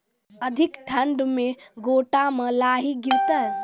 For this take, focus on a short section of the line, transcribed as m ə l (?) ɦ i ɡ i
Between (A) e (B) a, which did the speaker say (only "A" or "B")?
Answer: B